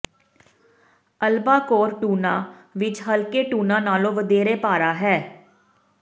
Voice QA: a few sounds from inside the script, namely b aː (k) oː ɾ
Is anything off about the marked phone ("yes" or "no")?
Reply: no